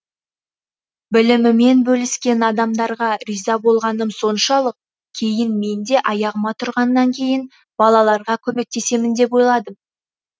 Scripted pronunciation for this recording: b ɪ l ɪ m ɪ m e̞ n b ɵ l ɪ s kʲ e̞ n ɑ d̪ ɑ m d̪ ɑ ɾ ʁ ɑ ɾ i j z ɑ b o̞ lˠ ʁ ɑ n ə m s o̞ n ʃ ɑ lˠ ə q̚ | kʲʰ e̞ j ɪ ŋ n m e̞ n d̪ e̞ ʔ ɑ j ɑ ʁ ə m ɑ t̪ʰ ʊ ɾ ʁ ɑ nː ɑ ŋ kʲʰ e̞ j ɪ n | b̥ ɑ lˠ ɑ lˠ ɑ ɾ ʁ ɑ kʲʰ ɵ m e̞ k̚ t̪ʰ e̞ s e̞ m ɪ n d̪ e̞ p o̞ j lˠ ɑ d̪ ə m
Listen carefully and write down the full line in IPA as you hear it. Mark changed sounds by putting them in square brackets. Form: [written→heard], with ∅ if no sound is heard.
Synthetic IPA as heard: b ɪ l ɪ m ɪ m e̞ n b ɵ l ɪ s kʲ e̞ n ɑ d̪ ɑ m d̪ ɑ ɾ ʁ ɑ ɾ i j z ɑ b o̞ lˠ ʁ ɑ n ə m s o̞ n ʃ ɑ lˠ ə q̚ | kʲʰ e̞ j ɪ [ŋ→∅] n m e̞ n d̪ e̞ ʔ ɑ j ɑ ʁ ə m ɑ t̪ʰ ʊ ɾ ʁ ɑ nː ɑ ŋ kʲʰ e̞ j ɪ n | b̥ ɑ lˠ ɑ lˠ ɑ ɾ ʁ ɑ kʲʰ ɵ m e̞ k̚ [t̪ʰ→t̪] e̞ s e̞ m ɪ n d̪ e̞ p o̞ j lˠ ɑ d̪ ə m

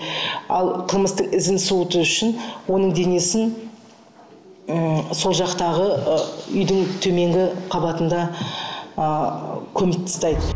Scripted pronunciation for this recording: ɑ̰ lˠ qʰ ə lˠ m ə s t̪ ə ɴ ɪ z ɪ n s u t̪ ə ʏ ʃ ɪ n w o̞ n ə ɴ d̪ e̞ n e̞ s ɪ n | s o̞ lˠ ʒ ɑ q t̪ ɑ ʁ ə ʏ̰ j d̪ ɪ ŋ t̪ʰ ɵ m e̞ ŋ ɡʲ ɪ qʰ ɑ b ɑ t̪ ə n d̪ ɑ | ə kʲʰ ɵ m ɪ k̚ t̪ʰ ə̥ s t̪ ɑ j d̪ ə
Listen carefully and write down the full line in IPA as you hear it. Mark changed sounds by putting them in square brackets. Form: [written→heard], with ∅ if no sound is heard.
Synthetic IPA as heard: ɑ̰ lˠ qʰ ə lˠ m ə s t̪ ə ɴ ɪ z ɪ n s u t̪ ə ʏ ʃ ɪ n w o̞ n ə ɴ d̪ e̞ n e̞ s ɪ n | s o̞ lˠ ʒ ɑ q t̪ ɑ ʁ ə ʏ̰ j d̪ ɪ ŋ t̪ʰ ɵ m e̞ ŋ ɡʲ ɪ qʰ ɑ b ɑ t̪ ə n d̪ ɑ | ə kʲʰ ɵ m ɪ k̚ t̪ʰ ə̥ s t̪ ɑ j d̪ ə

